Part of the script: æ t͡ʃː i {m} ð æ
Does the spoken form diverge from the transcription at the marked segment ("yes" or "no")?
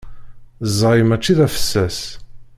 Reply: yes